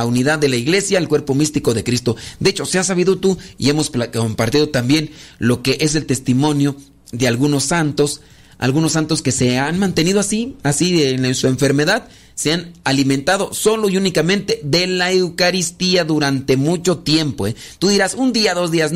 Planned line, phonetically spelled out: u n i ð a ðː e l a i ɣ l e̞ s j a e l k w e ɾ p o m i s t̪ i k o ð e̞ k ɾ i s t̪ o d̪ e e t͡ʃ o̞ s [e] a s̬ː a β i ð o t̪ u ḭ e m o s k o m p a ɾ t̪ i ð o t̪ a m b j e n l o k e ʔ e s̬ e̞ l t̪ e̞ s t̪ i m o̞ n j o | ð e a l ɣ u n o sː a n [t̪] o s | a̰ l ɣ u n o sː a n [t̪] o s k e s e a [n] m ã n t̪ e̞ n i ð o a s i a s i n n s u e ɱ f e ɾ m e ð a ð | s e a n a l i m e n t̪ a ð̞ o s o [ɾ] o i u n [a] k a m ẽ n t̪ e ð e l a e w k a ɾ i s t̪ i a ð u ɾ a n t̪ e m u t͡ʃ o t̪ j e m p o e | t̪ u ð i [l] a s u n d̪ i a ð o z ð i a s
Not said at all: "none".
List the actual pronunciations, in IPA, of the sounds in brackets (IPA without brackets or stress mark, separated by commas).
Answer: e, t̪, t̪, n, l, i, ɾ